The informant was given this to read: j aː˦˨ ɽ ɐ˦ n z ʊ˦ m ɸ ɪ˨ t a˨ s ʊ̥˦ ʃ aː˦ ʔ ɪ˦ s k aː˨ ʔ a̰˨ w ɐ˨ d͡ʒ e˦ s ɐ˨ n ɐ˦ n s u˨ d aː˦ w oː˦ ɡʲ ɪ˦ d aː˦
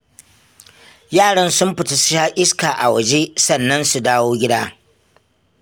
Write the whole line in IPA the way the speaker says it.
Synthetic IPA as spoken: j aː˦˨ ɽ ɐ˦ n s ʊ˦ m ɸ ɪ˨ t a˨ s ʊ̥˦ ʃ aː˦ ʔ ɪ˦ s k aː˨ ʔ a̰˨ w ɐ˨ d͡ʒ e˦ s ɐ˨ nː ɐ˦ n s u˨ d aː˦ w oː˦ ɡʲ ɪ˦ d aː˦